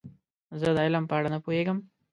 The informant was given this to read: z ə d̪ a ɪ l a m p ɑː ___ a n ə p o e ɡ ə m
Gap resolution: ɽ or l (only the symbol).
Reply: ɽ